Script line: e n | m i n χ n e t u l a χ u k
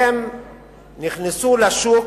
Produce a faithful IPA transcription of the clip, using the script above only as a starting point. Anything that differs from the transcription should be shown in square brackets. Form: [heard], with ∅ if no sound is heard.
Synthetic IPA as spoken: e [m] | [n] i [∅] χ n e [s] u l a [ʃ] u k